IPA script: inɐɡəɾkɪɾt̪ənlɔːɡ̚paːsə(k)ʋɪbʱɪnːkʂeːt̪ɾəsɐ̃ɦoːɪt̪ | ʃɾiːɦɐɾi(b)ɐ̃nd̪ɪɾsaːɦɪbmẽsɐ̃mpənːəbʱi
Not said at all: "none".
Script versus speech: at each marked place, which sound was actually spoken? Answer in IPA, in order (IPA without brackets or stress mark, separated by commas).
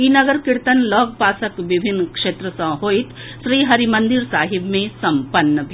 k, m